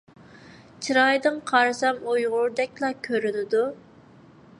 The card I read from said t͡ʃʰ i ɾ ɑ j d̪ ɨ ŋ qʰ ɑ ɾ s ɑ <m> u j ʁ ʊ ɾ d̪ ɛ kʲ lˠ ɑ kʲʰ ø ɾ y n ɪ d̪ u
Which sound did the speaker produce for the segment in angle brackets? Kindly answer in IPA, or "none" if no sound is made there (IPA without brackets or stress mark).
m